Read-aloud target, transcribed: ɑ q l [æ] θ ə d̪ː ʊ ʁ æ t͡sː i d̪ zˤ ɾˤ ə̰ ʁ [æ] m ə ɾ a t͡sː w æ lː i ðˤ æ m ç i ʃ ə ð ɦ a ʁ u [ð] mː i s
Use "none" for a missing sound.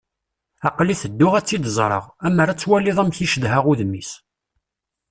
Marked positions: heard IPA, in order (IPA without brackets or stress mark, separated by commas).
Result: i, æ, ð